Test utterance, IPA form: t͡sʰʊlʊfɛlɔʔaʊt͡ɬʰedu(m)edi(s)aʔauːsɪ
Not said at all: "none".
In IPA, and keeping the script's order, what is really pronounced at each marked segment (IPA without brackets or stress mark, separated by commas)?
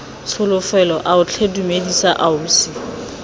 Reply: m, s